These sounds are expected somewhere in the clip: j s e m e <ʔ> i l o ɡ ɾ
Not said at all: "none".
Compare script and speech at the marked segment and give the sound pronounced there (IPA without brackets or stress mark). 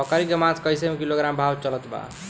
k